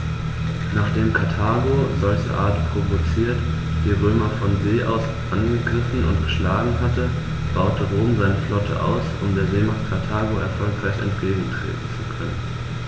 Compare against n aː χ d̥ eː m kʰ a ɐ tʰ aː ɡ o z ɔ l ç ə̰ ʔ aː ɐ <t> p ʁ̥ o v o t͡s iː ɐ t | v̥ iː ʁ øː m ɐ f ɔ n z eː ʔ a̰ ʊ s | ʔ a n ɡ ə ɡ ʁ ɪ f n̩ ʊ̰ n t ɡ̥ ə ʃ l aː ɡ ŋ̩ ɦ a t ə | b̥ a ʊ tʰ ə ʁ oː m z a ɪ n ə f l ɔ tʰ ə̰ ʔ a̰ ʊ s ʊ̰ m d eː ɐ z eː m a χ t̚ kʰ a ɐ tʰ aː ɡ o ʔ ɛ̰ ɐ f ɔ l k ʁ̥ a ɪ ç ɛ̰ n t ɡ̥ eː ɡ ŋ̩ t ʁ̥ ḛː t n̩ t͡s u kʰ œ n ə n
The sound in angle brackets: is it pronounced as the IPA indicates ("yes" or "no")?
yes